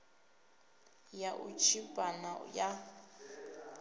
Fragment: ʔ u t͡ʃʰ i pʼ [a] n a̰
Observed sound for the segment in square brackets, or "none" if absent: a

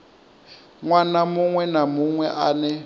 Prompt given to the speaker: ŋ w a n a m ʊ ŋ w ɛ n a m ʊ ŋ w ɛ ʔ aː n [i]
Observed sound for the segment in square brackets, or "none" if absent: ɛ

